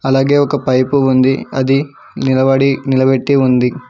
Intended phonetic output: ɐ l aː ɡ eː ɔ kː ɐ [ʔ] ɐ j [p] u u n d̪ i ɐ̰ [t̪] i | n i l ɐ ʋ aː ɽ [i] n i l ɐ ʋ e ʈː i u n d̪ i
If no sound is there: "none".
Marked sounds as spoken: p, p, d̪, i

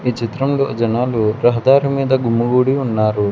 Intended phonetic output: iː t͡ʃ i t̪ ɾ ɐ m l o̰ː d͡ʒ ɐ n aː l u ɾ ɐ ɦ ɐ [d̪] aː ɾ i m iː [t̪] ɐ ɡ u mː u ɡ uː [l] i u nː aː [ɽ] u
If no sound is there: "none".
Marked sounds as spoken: d̪, d̪, ɽ, ɾ

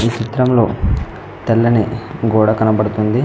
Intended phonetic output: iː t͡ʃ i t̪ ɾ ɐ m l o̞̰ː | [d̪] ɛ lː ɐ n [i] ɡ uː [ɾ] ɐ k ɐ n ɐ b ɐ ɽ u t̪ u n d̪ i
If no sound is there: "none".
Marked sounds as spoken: t̪, i, ɽ

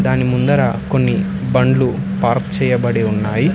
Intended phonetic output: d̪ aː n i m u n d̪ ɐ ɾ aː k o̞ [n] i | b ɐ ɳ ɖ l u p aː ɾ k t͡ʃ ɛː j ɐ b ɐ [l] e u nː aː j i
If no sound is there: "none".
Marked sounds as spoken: nː, ɽ

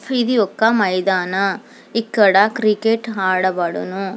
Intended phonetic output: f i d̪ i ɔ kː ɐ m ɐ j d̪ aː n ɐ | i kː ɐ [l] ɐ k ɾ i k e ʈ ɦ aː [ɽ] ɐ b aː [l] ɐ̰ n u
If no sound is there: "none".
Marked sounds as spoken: ɽ, ɽ, ɽ

